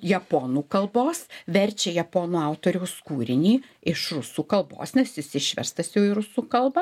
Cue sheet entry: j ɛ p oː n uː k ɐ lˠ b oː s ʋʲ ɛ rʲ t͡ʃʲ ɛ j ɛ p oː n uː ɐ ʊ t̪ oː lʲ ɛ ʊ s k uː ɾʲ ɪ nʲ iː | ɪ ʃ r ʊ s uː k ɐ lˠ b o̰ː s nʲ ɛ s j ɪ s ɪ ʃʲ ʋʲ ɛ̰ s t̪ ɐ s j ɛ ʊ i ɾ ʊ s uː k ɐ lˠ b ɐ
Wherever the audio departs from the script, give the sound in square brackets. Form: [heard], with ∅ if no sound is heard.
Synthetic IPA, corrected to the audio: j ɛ p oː n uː k ɐ lˠ b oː s ʋʲ ɛ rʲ t͡ʃʲ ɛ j ɛ p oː n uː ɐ ʊ t̪ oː [ɾʲ] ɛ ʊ s k uː ɾʲ ɪ nʲ iː | ɪ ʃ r ʊ s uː k ɐ lˠ b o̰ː s nʲ ɛ s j ɪ s ɪ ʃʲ ʋʲ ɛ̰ s t̪ ɐ s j ɛ ʊ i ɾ ʊ s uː k ɐ lˠ b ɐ